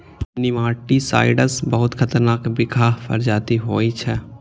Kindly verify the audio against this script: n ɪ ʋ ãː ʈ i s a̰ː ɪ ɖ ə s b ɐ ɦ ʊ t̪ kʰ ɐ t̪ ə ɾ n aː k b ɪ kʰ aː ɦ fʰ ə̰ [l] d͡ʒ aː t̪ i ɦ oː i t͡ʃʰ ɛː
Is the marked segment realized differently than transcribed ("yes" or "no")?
yes